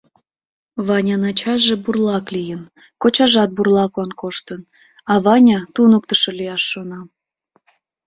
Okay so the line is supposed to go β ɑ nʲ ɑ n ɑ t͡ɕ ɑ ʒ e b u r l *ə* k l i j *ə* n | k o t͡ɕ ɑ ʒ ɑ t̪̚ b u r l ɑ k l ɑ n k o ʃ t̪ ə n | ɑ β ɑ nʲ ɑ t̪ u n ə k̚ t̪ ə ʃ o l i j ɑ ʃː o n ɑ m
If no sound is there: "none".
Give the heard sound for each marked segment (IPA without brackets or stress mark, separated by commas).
ɑ, ə